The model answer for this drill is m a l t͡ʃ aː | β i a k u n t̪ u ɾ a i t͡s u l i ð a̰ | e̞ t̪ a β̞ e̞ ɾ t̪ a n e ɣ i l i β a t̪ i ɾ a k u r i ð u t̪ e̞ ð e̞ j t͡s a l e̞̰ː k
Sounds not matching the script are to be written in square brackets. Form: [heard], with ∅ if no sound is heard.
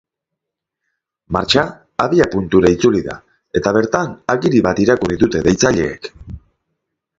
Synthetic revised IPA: m a [ɾ] t͡ʃ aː | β i a [p] u n t̪ u ɾ a i t͡s u l i ð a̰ | e̞ t̪ a β̞ e̞ ɾ t̪ a n [a] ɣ i [ɾ] i β a t̪ i ɾ a k u r i ð u t̪ e̞ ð e̞ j t͡s a [ʎ] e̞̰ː k